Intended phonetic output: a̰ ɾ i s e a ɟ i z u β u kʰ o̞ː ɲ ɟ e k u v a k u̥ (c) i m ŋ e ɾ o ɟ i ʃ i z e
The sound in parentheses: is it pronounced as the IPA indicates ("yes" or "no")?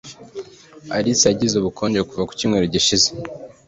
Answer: yes